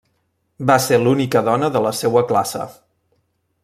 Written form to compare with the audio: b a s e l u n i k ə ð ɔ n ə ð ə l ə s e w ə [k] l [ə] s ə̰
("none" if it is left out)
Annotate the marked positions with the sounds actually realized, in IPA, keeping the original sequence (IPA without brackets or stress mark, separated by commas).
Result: k, a